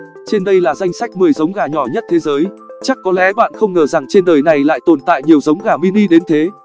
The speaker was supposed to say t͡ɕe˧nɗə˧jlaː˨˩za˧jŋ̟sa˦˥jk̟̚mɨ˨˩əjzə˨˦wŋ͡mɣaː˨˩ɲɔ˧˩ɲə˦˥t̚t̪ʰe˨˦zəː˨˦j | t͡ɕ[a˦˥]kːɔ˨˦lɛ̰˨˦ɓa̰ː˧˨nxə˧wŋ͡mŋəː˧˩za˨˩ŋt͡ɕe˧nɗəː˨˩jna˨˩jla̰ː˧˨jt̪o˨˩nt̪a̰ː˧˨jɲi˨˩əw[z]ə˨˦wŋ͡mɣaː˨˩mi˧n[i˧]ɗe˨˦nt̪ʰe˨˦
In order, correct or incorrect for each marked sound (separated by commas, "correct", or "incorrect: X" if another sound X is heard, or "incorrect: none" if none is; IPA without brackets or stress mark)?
correct, correct, correct